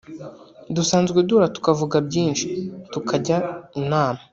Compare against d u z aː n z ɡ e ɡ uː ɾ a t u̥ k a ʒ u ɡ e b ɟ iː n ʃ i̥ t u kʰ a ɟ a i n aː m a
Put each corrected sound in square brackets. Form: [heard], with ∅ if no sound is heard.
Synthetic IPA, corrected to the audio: d u [s] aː n z ɡ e [d] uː ɾ a t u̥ k a [v] u ɡ [a] b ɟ iː n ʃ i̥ t u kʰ a ɟ a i n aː m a